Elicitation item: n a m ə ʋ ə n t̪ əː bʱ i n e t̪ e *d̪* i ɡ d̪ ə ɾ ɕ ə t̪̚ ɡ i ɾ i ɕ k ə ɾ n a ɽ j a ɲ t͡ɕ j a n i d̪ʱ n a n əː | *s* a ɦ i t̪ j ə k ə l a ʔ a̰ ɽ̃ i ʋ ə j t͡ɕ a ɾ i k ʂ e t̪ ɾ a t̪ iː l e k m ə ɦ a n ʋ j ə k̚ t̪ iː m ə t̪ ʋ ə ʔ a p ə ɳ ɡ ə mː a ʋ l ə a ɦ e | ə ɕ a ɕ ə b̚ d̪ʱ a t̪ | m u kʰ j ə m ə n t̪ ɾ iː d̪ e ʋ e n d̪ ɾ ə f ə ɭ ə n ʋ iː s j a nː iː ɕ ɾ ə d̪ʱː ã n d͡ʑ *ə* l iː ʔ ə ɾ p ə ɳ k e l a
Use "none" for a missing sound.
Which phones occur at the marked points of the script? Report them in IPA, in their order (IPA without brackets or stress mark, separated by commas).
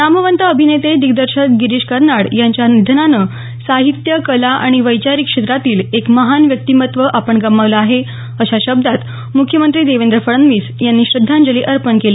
d̪, s, ə